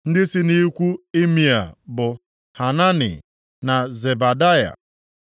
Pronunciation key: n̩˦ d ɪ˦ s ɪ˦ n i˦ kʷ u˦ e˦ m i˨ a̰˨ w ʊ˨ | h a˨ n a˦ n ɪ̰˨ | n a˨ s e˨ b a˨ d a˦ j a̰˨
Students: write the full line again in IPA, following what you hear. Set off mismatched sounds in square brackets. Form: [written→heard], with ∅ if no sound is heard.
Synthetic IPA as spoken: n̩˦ d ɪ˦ s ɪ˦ n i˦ kʷ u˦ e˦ m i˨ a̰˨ [w→b] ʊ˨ | h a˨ n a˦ n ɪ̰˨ | n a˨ [s→z] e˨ b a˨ d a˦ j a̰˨